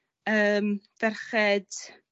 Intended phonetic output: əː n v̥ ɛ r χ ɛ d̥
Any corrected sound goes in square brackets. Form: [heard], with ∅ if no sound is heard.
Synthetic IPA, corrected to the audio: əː [m] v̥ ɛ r χ ɛ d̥